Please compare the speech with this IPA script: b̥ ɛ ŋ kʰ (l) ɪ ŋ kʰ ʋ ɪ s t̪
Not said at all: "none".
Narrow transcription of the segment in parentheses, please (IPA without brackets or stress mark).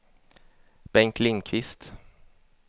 l